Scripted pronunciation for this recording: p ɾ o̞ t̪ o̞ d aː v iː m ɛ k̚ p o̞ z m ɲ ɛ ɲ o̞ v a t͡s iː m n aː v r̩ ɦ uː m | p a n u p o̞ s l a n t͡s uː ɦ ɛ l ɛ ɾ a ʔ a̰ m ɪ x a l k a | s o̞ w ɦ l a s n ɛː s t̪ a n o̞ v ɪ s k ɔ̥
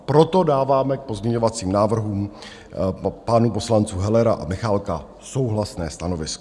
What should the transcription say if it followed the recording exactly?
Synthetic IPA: p ɾ o̞ t̪ o̞ d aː v aː m ɛ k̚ p o̞ z m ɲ ɛ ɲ o̞ v a t͡s iː m n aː v r̩ ɦ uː m | p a n u p o̞ s l a n t͡s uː ɦ ɛ l ɛ ɾ a ʔ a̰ m ɪ x a l k a | s o̞ w ɦ l a s n ɛː s t̪ a n o̞ v ɪ s k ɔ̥